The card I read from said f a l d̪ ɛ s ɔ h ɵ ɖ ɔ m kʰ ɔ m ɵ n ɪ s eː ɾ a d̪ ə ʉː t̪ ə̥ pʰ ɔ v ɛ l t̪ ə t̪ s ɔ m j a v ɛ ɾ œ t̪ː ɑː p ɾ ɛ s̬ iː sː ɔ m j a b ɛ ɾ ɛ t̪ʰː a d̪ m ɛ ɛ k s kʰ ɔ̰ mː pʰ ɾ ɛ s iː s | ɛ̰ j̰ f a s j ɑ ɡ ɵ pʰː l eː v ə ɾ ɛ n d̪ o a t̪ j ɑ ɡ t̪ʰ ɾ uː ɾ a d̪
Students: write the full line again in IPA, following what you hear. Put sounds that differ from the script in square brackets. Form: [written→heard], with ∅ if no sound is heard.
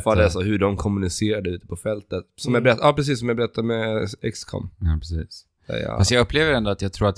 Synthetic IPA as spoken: f a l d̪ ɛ s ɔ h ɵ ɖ ɔ m kʰ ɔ m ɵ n ɪ s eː ɾ a d̪ ə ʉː t̪ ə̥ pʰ ɔ [v→f] ɛ l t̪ ə t̪ s ɔ m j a [v→b] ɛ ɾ [œ→ɛ] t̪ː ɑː p ɾ ɛ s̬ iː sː ɔ m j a b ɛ ɾ ɛ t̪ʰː a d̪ m ɛ ɛ k s kʰ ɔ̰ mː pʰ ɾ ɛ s iː s | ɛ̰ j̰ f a s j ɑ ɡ ɵ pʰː l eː v ə ɾ ɛ n d̪ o a t̪ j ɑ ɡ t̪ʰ ɾ uː ɾ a [d̪→t̪]